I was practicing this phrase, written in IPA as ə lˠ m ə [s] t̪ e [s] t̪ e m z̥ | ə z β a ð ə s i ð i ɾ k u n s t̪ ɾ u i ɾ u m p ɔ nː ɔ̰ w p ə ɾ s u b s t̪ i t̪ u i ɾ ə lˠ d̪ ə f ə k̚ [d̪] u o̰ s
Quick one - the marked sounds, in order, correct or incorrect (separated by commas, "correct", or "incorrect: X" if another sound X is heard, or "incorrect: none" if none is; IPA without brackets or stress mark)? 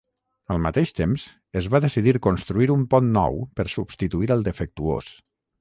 incorrect: none, incorrect: ʃ, incorrect: t̪